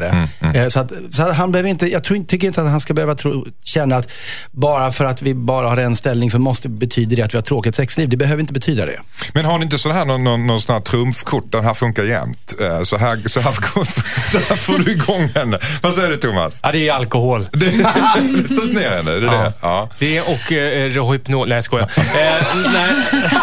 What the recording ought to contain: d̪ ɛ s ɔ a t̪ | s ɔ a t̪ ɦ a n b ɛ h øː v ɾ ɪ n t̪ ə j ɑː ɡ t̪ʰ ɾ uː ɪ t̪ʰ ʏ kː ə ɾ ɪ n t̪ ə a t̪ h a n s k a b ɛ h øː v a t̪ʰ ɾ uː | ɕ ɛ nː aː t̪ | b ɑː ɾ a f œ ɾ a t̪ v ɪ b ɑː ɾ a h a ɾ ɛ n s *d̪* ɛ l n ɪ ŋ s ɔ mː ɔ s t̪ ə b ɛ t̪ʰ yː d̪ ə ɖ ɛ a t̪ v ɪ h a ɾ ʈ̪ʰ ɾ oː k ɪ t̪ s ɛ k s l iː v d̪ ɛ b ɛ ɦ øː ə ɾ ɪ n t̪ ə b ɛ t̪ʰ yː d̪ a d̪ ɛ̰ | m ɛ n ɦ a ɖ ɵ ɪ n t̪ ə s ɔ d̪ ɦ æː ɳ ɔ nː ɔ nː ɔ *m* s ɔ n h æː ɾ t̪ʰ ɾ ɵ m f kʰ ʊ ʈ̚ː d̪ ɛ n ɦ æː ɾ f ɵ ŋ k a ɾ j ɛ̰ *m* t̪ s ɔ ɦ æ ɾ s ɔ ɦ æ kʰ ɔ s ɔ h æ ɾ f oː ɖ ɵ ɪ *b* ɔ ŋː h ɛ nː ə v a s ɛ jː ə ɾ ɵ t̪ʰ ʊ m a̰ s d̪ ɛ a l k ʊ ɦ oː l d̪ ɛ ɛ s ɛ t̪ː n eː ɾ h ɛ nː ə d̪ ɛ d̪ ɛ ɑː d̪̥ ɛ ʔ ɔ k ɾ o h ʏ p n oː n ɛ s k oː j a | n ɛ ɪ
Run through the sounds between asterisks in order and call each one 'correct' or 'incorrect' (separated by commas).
incorrect, incorrect, correct, incorrect